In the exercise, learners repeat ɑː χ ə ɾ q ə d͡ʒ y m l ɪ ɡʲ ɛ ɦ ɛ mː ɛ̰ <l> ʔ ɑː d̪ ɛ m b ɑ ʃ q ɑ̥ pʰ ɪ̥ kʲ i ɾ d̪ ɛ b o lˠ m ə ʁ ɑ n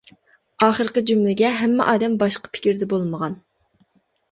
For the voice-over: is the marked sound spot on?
no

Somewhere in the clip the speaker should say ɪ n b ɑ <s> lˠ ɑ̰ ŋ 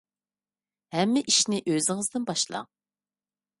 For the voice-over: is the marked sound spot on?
no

